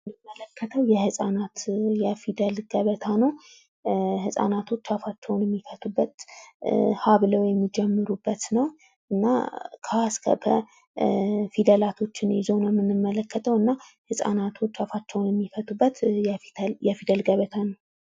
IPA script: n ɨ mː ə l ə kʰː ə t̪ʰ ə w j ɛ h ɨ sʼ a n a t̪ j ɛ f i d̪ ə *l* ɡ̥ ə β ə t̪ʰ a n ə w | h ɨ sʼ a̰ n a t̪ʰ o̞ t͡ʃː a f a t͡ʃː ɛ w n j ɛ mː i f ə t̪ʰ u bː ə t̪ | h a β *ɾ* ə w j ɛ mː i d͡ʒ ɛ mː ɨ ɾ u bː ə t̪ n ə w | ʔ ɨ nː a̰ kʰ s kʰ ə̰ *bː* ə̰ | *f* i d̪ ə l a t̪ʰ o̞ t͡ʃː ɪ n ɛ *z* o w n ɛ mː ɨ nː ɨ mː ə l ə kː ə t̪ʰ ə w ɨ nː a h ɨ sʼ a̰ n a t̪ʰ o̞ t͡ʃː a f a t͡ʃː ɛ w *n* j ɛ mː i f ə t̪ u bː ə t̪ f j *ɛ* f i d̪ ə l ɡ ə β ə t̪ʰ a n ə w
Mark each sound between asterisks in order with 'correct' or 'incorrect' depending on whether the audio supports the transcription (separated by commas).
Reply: correct, incorrect, incorrect, correct, correct, correct, correct